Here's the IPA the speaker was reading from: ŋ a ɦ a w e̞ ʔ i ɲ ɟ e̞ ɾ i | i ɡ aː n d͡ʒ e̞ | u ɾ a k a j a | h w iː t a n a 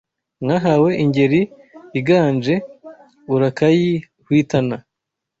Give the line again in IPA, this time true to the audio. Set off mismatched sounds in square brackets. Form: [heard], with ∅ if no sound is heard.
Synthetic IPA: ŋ a ɦ a w e̞ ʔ i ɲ ɟ e̞ ɾ i | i ɡ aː n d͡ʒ e̞ | u ɾ a k a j [i] | h w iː t a n a